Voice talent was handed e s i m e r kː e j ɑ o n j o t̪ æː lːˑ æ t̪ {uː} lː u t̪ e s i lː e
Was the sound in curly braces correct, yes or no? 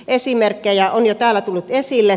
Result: no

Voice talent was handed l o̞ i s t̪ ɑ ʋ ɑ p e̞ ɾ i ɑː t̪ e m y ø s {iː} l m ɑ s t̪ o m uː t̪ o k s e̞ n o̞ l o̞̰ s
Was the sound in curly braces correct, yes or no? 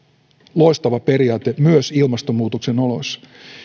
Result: no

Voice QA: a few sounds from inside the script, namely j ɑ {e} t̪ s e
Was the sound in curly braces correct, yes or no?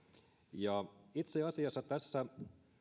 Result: no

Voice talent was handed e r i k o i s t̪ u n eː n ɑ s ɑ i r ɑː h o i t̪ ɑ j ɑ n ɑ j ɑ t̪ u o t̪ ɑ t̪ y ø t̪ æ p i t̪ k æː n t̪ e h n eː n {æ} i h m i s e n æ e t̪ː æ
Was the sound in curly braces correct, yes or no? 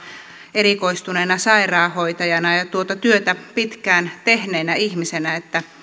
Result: yes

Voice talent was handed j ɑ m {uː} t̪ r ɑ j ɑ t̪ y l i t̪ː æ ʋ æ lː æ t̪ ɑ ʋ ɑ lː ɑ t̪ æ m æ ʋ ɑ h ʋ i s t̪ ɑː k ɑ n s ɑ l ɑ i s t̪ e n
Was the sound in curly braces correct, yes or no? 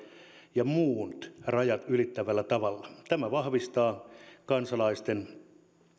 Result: yes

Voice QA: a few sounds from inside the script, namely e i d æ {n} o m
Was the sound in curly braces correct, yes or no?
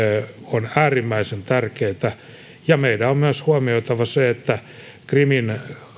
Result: no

